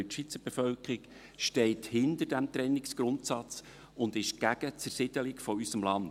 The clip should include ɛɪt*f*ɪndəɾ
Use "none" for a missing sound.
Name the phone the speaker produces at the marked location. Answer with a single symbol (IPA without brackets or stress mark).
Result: h